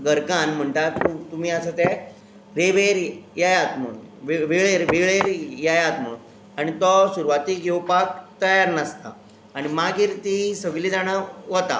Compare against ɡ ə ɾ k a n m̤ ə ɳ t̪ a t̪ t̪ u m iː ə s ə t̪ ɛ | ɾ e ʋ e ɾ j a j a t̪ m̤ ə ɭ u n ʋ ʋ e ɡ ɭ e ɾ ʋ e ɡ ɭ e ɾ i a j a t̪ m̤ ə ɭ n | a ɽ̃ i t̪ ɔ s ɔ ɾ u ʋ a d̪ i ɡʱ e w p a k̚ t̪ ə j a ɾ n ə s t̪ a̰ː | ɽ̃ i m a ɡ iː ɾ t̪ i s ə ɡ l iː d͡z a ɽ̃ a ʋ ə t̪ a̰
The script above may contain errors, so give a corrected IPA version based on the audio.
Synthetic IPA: ɡ ə ɾ k a n m̤ ə ɳ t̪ a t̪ t̪ u m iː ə s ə t̪ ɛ | ɾ e ʋ e ɾ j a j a t̪ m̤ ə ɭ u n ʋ ʋ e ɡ ɭ e ɾ ʋ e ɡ ɭ e ɾ j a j a t̪ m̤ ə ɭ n | a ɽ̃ i t̪ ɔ s u ɾ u ʋ a t̪ i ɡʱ e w p a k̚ t̪ ə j a ɾ n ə s t̪ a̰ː | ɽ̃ i m a ɡ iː ɾ t̪ i s ə ɡ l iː d͡z a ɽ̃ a ʋ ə t̪ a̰